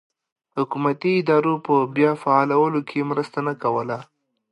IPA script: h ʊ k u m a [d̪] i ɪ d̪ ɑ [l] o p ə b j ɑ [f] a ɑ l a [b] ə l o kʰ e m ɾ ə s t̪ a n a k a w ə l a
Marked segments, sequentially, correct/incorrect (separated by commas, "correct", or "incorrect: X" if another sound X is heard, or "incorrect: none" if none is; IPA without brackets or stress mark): incorrect: t̪, incorrect: ɾ, correct, incorrect: w